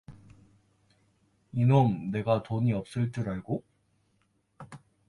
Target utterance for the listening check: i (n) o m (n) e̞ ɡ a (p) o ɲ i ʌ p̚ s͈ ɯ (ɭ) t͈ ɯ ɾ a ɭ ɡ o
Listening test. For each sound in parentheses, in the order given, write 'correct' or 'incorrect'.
correct, correct, incorrect, correct

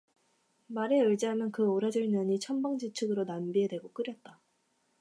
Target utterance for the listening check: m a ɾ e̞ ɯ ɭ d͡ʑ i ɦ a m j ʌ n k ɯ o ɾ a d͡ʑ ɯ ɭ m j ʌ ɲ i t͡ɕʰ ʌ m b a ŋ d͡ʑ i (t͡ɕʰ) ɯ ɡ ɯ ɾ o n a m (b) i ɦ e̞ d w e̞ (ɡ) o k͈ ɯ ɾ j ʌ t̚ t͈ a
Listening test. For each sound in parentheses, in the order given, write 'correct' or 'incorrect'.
correct, correct, correct

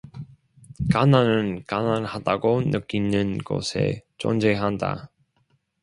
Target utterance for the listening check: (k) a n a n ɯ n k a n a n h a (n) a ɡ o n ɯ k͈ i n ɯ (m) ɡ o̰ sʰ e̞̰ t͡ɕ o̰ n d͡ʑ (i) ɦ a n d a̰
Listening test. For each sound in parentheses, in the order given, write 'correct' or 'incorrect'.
correct, incorrect, incorrect, incorrect

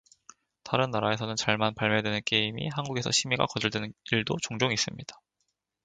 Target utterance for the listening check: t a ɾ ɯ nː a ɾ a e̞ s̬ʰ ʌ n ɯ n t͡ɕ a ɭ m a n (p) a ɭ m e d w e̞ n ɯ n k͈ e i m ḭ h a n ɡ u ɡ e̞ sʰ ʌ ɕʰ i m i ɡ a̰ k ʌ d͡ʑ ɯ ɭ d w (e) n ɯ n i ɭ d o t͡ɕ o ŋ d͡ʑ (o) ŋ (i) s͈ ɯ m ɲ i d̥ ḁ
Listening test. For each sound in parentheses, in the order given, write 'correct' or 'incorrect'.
correct, correct, correct, correct

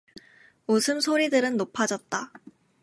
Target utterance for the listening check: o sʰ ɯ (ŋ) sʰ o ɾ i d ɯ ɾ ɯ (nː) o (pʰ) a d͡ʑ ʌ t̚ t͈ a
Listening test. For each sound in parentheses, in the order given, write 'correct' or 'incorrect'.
incorrect, correct, correct

